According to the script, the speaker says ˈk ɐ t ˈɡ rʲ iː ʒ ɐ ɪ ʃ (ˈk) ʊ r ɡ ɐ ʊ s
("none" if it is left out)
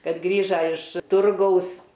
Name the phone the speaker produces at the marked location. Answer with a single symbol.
t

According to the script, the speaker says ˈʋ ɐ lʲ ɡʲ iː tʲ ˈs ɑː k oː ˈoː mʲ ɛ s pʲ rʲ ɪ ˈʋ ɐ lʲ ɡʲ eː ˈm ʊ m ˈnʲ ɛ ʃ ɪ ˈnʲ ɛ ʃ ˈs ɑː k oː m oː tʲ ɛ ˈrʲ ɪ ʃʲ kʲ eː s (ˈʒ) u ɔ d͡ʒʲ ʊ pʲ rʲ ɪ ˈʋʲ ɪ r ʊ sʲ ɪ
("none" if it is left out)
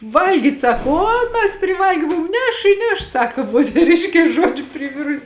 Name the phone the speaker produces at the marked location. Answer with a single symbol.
ʒ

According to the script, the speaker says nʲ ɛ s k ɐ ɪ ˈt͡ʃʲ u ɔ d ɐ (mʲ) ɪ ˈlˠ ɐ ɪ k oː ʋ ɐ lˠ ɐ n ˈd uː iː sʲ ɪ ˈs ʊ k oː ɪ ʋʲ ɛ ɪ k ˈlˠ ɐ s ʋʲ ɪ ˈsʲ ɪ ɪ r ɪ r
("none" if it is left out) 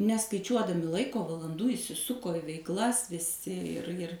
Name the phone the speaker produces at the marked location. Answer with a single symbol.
mʲ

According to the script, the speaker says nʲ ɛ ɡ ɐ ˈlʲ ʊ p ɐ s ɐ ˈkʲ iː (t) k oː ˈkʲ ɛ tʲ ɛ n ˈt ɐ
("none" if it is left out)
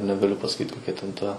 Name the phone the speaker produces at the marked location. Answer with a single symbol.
t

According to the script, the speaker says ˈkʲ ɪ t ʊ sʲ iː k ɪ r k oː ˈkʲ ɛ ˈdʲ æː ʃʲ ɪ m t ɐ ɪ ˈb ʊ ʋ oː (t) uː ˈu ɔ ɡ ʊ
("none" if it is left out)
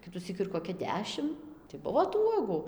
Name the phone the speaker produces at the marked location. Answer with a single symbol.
t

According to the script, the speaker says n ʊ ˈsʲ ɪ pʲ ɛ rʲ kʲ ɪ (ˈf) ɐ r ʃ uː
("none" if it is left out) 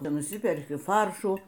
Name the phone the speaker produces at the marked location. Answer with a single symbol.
f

